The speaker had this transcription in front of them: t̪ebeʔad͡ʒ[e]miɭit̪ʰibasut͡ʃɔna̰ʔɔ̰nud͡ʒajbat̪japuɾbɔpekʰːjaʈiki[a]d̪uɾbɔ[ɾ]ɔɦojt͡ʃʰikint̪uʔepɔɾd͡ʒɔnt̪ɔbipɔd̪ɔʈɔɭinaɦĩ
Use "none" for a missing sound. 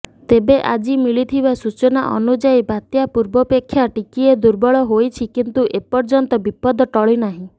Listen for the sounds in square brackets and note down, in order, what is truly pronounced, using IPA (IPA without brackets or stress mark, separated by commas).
i, e, ɭ